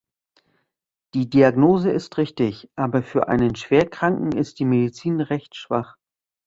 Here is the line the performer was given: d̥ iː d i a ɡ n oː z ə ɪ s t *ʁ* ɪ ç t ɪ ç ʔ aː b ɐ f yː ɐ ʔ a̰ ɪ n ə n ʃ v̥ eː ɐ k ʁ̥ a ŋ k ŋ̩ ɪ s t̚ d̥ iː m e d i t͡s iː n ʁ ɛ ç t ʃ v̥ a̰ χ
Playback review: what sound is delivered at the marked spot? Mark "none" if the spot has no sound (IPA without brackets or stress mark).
ʁ